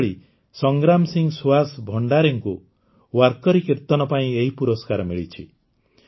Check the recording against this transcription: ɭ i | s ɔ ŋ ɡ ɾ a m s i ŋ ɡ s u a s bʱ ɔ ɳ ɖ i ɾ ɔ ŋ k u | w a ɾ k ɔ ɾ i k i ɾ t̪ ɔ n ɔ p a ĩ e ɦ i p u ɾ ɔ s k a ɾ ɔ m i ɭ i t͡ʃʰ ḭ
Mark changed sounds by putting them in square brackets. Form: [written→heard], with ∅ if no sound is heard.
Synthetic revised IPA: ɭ i | s ɔ ŋ ɡ ɾ a m s i ŋ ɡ s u a s bʱ ɔ ɳ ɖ [i→a] ɾ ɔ ŋ k u | w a ɾ k ɔ ɾ i k i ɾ t̪ ɔ n ɔ p a ĩ e ɦ i p u ɾ ɔ s k a ɾ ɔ m i ɭ i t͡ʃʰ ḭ

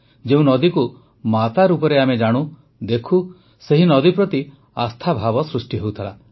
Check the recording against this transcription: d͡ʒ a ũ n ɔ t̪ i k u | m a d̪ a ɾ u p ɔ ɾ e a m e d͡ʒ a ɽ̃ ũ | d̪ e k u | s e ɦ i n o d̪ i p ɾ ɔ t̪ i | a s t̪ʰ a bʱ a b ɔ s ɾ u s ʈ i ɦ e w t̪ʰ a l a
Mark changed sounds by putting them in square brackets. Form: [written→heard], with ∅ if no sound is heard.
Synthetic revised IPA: d͡ʒ [a→e] ũ n ɔ [t̪→d̪] i k u | m a [d̪→t̪] a ɾ u p ɔ ɾ e a m e d͡ʒ a ɽ̃ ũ | d̪ e [k→kʰ] u | s e ɦ i n [o→ɔ] d̪ i p ɾ ɔ t̪ i | a s t̪ʰ a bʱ a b ɔ s ɾ u s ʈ i ɦ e w t̪ʰ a l a

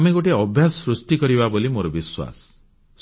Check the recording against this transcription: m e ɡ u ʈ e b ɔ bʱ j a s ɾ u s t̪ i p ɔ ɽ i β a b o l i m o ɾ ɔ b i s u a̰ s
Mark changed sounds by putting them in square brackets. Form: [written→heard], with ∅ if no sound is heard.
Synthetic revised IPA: m e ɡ [u→o] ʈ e [b→∅] ɔ bʱ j a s ɾ u s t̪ i [p→k] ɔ [ɽ→ɾ] i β a b o l i m o ɾ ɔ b i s [u→w] a̰ s

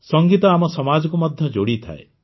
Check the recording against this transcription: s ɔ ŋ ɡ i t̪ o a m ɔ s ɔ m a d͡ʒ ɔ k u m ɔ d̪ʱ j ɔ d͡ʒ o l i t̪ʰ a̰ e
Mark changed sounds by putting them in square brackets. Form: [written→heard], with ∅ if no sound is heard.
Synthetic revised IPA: s ɔ ŋ ɡ i t̪ [o→ɔ] a m ɔ s ɔ m a d͡ʒ ɔ k u m ɔ d̪ʱ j ɔ d͡ʒ o [l→ɽ] i t̪ʰ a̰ e

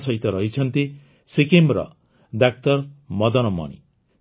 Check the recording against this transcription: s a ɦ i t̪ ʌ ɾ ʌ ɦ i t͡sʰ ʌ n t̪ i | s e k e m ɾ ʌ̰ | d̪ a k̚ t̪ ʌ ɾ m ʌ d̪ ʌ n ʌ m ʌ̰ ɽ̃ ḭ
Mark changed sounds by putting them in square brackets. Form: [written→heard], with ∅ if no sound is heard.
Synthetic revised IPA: s [a→ʌ] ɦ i t̪ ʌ ɾ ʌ ɦ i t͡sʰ ʌ n t̪ i | s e k e m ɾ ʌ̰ | d̪ a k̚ t̪ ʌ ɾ m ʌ d̪ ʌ n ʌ m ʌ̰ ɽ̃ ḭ

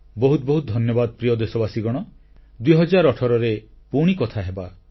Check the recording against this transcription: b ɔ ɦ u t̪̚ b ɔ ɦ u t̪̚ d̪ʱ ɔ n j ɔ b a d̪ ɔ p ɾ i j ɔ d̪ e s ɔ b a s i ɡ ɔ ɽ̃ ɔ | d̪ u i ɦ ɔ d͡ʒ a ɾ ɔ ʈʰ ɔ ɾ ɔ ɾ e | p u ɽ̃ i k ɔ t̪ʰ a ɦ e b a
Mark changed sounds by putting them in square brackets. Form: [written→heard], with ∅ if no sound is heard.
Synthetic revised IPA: b ɔ ɦ u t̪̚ b ɔ ɦ u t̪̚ d̪ʱ ɔ n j ɔ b a d̪ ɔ p ɾ i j ɔ d̪ e s ɔ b a s i ɡ ɔ ɽ̃ ɔ | d̪ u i ɦ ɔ d͡ʒ a ɾ ɔ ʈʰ ɔ ɾ ɔ ɾ e | p u ɽ̃ i k ɔ t̪ʰ a ɦ e b a

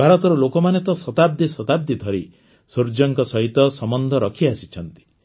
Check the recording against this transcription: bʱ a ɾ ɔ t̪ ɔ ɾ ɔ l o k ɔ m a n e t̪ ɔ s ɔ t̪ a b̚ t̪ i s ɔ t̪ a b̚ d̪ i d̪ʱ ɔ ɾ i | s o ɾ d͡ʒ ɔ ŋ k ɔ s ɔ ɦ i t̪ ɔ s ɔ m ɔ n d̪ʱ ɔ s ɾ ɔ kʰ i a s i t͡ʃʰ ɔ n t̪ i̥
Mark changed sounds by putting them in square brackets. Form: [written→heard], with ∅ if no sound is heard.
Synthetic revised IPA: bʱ a ɾ ɔ t̪ ɔ ɾ ɔ l o k ɔ m a n e t̪ ɔ s ɔ t̪ a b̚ [t̪→d̪] i s ɔ t̪ a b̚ d̪ i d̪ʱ ɔ ɾ i | s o ɾ d͡ʒ ɔ ŋ k ɔ s ɔ ɦ i t̪ ɔ s ɔ m ɔ n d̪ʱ ɔ [s→∅] ɾ ɔ kʰ i a s i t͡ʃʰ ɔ n t̪ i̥

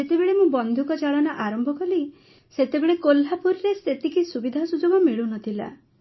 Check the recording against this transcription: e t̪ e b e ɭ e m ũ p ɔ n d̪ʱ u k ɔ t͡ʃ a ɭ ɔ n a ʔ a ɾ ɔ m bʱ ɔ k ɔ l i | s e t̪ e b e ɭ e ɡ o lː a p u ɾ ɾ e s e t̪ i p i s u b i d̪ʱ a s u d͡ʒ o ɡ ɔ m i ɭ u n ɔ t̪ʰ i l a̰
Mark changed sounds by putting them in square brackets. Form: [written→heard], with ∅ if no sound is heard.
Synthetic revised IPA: e t̪ e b e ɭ e m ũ [p→b] ɔ n d̪ʱ u k ɔ t͡ʃ a ɭ ɔ n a ʔ a ɾ ɔ m bʱ ɔ k ɔ l i | s e t̪ e b e ɭ e [ɡ→k] o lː a p u ɾ ɾ e s e t̪ i [p→k] i s u b i d̪ʱ a s u d͡ʒ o ɡ ɔ m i ɭ u n ɔ t̪ʰ i l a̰

